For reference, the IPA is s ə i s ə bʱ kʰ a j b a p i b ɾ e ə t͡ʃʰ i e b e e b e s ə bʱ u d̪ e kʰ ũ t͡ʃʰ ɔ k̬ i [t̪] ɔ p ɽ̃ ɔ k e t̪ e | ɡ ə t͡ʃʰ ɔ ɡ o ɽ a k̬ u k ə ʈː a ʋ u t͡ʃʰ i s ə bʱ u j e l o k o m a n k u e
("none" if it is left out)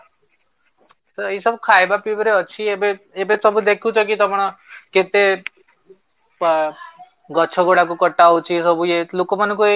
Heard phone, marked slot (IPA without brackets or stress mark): t̪